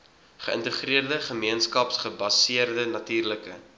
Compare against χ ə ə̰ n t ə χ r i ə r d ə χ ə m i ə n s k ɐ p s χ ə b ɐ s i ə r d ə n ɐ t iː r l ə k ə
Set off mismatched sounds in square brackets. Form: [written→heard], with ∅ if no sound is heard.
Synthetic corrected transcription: χ ə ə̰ n t ə χ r i ə r d ə χ ə m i ə n s k ɐ p s χ ə b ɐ s i ə r d ə n ɐ t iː r l ə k ə